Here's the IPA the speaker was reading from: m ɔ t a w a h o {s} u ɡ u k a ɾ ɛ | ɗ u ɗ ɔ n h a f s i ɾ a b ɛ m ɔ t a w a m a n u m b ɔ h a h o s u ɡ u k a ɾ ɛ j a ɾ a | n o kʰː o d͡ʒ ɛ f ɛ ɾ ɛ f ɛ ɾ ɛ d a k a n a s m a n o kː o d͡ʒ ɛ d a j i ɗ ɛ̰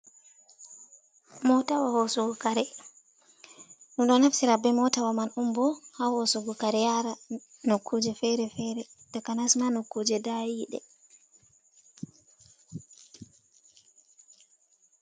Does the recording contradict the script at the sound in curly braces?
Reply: no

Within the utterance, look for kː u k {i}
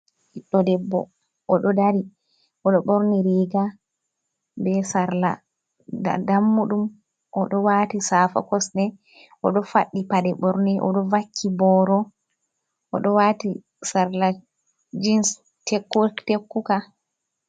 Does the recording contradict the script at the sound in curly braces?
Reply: yes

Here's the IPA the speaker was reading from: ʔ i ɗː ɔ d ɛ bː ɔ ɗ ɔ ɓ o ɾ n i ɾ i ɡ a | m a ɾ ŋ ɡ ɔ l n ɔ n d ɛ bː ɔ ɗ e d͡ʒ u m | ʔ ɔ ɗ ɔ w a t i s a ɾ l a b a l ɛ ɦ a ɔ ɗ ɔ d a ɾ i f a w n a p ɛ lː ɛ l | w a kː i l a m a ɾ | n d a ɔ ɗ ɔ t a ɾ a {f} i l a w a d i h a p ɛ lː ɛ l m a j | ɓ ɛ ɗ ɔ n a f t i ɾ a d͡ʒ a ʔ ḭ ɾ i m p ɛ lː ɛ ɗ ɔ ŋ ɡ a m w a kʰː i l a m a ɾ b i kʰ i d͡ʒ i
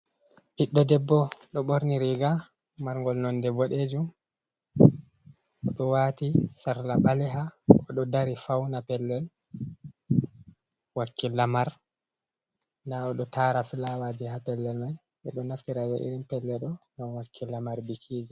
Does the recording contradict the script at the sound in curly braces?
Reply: no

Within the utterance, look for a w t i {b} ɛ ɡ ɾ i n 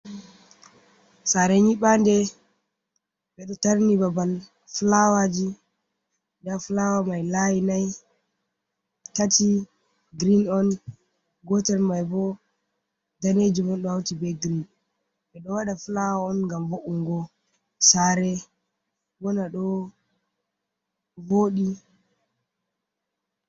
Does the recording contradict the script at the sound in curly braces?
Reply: no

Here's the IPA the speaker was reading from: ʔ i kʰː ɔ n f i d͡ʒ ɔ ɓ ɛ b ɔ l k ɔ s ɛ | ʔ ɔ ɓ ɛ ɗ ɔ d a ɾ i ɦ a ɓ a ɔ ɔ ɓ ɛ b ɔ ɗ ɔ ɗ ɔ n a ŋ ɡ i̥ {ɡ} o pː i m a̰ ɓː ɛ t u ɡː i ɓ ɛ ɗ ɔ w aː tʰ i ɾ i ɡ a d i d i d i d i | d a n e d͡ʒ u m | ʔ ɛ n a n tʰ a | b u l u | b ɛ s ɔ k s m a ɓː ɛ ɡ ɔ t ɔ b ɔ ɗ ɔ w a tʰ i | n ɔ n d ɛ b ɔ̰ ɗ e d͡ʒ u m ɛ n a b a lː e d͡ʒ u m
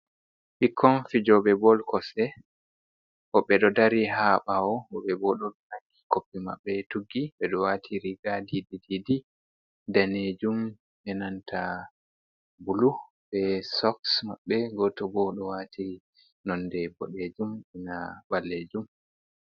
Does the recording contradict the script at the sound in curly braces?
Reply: yes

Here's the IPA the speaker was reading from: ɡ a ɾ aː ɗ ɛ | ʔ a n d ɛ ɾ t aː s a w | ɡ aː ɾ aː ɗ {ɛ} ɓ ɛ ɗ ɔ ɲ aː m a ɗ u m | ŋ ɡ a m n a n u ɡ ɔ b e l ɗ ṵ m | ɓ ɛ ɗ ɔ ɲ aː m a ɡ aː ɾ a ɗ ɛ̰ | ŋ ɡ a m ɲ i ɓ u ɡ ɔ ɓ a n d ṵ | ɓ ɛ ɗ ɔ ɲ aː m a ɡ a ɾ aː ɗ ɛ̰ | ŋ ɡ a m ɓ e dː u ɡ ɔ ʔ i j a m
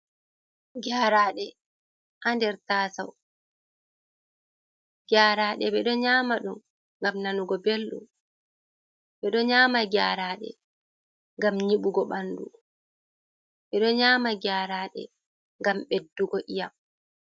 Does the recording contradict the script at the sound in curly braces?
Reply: no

